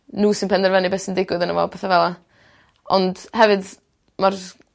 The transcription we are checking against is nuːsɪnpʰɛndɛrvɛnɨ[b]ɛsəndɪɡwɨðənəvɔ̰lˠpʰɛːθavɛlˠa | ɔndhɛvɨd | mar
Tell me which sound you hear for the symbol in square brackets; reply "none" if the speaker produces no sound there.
b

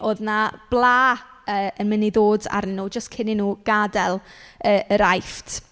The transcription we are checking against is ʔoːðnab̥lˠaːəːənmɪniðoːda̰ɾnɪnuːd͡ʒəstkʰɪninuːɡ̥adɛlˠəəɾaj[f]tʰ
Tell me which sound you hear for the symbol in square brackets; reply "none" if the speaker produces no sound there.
f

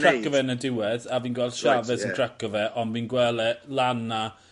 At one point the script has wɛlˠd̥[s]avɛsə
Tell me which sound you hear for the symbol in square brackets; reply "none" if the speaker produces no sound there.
ʃ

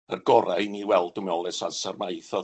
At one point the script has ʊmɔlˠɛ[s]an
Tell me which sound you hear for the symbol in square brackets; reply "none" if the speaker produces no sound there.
s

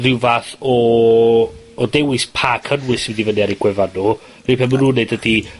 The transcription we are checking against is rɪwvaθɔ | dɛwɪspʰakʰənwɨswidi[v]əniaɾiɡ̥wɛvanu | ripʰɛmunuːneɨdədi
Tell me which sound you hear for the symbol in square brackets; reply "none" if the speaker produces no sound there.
v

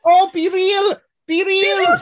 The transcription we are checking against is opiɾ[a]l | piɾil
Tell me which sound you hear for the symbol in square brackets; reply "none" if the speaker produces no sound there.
i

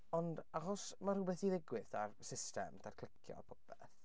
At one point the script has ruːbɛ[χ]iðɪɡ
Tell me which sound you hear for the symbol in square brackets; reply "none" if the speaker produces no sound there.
θ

